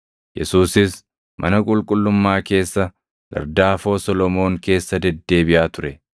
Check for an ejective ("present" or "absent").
present